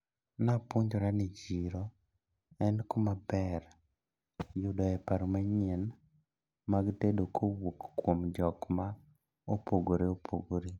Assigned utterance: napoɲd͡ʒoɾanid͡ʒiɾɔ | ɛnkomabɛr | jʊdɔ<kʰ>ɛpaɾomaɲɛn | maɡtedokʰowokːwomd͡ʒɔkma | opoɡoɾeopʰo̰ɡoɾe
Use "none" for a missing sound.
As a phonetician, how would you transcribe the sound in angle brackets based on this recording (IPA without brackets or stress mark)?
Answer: none